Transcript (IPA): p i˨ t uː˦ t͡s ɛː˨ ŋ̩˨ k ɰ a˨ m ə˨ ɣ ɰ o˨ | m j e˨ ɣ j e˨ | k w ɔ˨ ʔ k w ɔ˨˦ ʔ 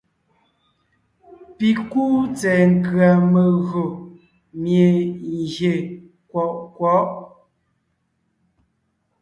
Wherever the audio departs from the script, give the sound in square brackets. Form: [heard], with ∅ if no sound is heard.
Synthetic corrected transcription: p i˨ [k] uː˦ t͡s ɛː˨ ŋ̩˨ k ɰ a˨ m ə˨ ɣ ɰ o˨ | m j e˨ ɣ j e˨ | k w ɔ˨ ʔ k w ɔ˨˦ ʔ